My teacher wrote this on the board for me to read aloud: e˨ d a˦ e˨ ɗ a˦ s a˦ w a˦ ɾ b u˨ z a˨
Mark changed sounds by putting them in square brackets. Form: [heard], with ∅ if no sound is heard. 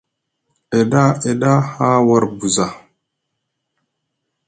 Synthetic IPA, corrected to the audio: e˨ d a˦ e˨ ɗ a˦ [h] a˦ w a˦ ɾ b u˨ z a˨